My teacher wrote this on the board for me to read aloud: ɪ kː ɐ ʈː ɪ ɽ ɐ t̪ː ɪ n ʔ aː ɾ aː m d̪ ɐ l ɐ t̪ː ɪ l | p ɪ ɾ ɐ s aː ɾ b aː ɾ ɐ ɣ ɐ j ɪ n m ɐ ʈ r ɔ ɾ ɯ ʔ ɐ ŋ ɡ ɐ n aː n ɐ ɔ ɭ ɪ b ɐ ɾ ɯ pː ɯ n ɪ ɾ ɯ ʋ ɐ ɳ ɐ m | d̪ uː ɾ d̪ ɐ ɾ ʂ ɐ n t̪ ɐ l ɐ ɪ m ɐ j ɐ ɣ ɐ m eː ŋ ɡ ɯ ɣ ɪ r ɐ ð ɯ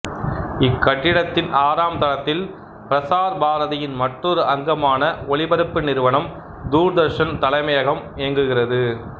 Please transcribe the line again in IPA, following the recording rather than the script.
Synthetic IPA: ɪ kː ɐ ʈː ɪ ɽ ɐ t̪ː ɪ n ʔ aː ɾ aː m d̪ ɐ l ɐ t̪ː ɪ l | p ɪ ɾ ɐ s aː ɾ b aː ɾ ɐ ð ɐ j ɪ n m ɐ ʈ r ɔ ɾ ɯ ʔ ɐ ŋ ɡ ɐ m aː n ɐ ɔ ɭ ɪ b ɐ ɾ ɯ pː ɯ n ɪ ɾ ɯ ʋ ɐ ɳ ɐ m | d̪ uː ɾ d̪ ɐ ɾ ʂ ɐ n t̪ ɐ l ɐ ɪ m ɐ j ɐ ɣ ɐ m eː ŋ ɡ ɯ ɣ ɪ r ɐ ð ɯ